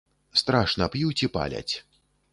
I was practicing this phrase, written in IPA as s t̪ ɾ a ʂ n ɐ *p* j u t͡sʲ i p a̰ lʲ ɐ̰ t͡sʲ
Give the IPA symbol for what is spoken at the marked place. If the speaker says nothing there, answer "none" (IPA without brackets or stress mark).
p